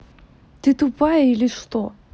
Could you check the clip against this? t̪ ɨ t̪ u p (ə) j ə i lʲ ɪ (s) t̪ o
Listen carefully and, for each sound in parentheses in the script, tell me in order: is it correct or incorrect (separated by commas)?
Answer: incorrect, incorrect